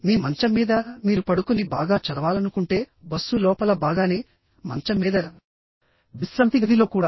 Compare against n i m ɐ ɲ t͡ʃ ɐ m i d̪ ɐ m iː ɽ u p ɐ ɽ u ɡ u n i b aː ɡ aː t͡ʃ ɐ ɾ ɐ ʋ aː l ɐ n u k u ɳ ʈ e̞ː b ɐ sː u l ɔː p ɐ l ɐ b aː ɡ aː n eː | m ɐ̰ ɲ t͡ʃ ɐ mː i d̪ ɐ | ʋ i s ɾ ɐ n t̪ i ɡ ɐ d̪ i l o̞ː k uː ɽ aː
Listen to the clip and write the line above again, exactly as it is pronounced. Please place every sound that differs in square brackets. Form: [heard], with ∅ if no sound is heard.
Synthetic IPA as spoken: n [iː] m ɐ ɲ t͡ʃ ɐ m [iː] d̪ ɐ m iː [ɾ] u p ɐ ɽ u [k] u n i b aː ɡ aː t͡ʃ ɐ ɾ ɐ ʋ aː l ɐ n u k u ɳ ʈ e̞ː b ɐ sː u l ɔː p ɐ l ɐ b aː ɡ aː n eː | m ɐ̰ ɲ t͡ʃ ɐ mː [iː] d̪ ɐ | ʋ i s ɾ ɐ n t̪ i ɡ ɐ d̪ i l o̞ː k uː ɽ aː